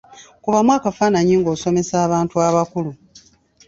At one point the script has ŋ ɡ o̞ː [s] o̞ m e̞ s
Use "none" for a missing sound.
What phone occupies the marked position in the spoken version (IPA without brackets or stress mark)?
s